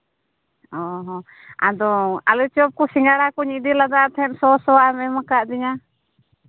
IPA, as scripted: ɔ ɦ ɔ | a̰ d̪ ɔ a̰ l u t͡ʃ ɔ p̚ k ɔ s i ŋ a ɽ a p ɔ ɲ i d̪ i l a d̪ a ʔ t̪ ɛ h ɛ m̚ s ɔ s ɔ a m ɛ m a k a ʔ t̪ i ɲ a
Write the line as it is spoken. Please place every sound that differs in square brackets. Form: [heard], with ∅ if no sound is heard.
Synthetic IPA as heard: ɔ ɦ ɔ | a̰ d̪ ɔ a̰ l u t͡ʃ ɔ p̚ k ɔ s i ŋ a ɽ a [k] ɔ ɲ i d̪ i l a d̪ a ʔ t̪ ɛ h ɛ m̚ s ɔ s ɔ a m ɛ m a k a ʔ [d̪] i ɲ a